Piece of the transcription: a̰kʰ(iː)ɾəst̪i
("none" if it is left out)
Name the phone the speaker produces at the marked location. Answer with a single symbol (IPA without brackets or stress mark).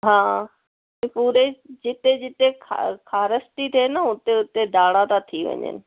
aː